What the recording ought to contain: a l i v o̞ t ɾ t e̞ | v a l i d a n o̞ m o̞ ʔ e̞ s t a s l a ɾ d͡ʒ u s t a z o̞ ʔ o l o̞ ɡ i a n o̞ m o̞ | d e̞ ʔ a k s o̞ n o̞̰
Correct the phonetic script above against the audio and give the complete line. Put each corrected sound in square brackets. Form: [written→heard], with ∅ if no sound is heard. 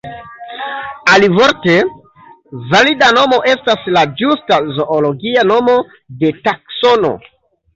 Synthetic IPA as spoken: a l i v o̞ [t→∅] ɾ t e̞ | v a l i d a n o̞ m o̞ ʔ e̞ s t a s l a [ɾ→∅] d͡ʒ u s t a z o̞ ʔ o l o̞ ɡ i a n o̞ m o̞ | d e̞ [ʔ→t] a k s o̞ n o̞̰